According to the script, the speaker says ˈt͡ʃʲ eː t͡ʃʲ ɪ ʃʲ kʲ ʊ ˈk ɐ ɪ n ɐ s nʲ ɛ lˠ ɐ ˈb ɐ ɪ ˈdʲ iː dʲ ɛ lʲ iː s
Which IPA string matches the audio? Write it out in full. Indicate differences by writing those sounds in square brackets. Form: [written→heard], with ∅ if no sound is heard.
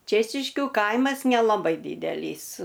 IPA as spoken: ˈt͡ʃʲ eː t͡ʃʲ ɪ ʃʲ kʲ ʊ ˈk ɐ ɪ [n→m] ɐ s nʲ ɛ lˠ ɐ ˈb ɐ ɪ ˈdʲ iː dʲ ɛ lʲ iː s

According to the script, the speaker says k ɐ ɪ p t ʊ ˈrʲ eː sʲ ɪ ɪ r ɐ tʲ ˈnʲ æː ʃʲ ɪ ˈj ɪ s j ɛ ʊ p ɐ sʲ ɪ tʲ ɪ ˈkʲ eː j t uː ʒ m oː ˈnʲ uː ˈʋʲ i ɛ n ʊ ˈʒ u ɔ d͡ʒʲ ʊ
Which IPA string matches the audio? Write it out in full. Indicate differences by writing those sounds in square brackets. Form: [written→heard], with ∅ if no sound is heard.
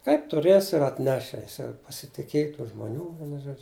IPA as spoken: k ɐ ɪ p t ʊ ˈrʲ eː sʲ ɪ ɪ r ɐ tʲ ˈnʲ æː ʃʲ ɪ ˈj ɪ s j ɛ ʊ p ɐ sʲ ɪ tʲ ɪ ˈkʲ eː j t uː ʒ m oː ˈnʲ uː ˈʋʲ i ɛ n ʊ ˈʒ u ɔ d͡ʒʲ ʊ

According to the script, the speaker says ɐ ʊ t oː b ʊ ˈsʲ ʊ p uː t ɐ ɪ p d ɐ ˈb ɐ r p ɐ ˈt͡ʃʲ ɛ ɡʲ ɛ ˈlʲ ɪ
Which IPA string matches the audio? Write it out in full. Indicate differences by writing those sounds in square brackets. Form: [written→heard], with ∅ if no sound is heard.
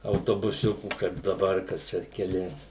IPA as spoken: ɐ ʊ t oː b ʊ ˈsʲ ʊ [p→k] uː [t→k] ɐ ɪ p d ɐ ˈb ɐ r [p→k] ɐ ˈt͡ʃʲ ɛ [ɡʲ→kʲ] ɛ ˈlʲ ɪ

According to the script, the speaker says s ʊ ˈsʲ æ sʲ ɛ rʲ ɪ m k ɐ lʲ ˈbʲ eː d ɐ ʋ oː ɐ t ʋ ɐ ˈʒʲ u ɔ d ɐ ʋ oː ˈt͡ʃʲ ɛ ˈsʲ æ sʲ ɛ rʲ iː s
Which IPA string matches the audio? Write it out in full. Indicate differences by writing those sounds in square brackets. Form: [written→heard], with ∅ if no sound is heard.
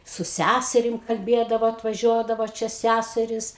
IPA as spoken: s ʊ ˈsʲ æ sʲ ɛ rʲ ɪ m k ɐ lʲ ˈbʲ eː d ɐ ʋ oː ɐ t ʋ ɐ ˈʒʲ u ɔ d ɐ ʋ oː ˈt͡ʃʲ ɛ ˈsʲ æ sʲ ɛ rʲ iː s

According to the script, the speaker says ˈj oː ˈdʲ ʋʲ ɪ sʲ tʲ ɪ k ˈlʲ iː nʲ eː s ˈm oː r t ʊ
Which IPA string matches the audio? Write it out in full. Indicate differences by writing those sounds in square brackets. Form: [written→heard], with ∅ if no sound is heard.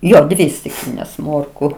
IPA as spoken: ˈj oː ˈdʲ ʋʲ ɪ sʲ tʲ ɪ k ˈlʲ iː nʲ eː s ˈm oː r [t→k] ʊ

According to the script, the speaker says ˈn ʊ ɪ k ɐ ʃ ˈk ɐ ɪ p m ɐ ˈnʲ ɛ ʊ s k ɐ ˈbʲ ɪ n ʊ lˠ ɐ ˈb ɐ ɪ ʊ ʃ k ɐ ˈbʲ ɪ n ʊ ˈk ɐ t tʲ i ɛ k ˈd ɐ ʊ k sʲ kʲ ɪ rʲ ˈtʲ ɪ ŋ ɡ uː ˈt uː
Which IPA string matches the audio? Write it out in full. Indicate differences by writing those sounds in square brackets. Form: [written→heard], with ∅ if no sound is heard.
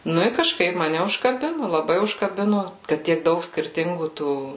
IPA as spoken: ˈn ʊ ɪ k ɐ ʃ ˈk ɐ ɪ p m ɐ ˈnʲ ɛ ʊ [s→ʃ] k ɐ ˈbʲ ɪ n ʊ lˠ ɐ ˈb ɐ ɪ ʊ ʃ k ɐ ˈbʲ ɪ n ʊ ˈk ɐ t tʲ i ɛ k ˈd ɐ ʊ k sʲ kʲ ɪ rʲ ˈtʲ ɪ ŋ ɡ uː ˈt uː

